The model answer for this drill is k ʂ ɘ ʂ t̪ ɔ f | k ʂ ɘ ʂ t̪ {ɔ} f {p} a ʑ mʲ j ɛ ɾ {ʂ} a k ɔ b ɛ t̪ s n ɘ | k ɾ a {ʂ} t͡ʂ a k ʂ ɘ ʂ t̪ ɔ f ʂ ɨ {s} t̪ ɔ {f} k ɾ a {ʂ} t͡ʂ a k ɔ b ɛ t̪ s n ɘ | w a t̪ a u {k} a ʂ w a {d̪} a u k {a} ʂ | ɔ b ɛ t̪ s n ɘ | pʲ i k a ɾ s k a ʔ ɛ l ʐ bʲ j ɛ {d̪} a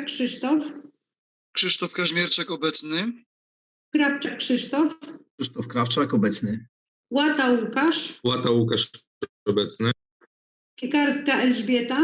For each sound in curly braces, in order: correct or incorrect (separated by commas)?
correct, incorrect, incorrect, incorrect, incorrect, correct, incorrect, correct, incorrect, correct, incorrect